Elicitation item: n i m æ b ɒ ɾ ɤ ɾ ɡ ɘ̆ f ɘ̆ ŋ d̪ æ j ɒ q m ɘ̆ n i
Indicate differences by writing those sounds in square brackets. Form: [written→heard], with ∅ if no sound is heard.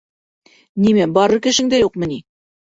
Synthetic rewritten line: n i m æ b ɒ ɾ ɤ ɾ [ɡ→k] ɘ̆ [f→ʃ] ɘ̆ ŋ d̪ æ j [ɒ→u] q m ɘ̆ n i